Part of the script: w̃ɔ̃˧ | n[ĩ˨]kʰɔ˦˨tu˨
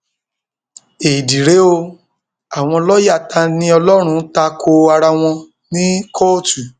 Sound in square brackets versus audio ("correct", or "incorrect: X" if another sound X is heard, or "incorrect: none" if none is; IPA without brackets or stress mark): incorrect: ĩ˦